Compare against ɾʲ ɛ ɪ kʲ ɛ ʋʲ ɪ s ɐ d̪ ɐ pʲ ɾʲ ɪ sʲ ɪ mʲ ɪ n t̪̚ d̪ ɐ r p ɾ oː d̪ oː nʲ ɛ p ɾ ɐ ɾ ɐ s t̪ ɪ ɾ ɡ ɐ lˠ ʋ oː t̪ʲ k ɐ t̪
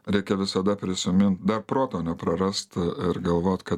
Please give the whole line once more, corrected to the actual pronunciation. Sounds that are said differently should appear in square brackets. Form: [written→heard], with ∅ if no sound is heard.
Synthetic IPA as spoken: ɾʲ ɛ ɪ kʲ ɛ ʋʲ ɪ s ɐ d̪ ɐ pʲ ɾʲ ɪ sʲ ɪ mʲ ɪ n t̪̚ d̪ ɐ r p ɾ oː [d̪→t̪] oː nʲ ɛ p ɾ ɐ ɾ ɐ s t̪ ɪ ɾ ɡ ɐ lˠ ʋ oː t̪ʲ k ɐ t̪